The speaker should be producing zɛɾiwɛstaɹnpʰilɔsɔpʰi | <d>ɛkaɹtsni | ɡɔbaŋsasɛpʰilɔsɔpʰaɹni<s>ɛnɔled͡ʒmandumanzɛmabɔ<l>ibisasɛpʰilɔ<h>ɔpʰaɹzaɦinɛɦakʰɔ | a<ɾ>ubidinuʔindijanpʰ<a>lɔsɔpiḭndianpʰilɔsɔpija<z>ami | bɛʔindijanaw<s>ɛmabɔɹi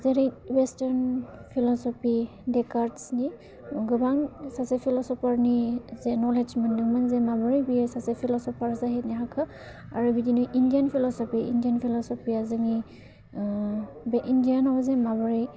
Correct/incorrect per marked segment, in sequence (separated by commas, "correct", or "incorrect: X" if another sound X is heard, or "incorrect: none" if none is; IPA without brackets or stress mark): correct, incorrect: z, incorrect: ɹ, incorrect: s, incorrect: ɹ, incorrect: i, correct, incorrect: z